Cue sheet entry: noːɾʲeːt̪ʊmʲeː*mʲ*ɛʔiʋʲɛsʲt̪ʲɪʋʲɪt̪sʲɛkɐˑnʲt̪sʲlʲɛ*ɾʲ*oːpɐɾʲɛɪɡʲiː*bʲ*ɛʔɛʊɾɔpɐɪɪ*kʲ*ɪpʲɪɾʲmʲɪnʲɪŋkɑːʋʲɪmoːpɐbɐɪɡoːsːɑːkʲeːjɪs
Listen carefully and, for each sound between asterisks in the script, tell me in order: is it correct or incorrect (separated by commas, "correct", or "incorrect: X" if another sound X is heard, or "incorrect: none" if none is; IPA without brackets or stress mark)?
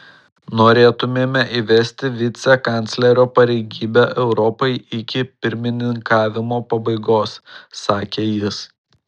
correct, correct, correct, correct